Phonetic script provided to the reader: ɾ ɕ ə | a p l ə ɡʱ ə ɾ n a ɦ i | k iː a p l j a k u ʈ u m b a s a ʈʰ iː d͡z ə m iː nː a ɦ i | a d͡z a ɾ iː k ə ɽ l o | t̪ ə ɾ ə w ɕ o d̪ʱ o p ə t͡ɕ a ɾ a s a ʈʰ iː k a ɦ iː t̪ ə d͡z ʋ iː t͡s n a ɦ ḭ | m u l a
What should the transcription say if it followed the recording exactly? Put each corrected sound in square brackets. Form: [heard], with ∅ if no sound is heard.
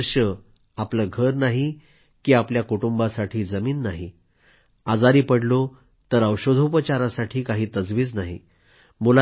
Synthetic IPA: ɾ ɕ ə | a p l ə ɡʱ ə ɾ n a ɦ i | k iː a p l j a k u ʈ u m b a s a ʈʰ iː d͡z ə m iː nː a ɦ i | a d͡z a ɾ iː [p] ə ɽ l o | t̪ ə ɾ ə w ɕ o d̪ʱ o p ə t͡ɕ a ɾ a s a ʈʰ iː k a ɦ iː t̪ ə d͡z ʋ iː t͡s n a ɦ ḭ | m u l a